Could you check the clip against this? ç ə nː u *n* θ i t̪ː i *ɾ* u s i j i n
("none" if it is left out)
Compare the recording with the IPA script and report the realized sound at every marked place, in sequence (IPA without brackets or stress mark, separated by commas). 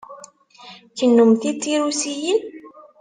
m, ɾ